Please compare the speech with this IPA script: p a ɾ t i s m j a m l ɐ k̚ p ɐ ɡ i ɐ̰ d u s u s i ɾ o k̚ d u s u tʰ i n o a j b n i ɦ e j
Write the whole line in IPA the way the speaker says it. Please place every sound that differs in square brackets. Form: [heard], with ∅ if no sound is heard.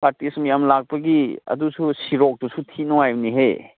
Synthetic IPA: p a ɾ t i s m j a m l [a] k̚ p ɐ ɡ i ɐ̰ d u s u s i ɾ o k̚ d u s u tʰ i n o a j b n i ɦ e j